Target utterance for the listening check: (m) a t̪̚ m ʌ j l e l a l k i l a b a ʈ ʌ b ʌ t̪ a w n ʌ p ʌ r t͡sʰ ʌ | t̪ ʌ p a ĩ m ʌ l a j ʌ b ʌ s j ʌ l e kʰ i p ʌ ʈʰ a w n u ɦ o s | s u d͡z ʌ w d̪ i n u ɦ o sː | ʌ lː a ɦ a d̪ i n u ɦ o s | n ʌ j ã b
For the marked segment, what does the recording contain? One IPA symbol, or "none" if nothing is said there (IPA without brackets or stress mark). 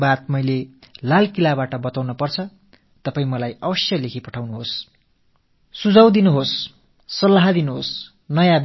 b